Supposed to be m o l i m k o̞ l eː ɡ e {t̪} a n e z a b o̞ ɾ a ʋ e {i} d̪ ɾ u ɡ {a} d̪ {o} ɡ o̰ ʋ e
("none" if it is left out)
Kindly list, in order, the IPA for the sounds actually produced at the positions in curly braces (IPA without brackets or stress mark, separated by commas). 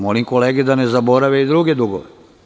d̪, i, e, u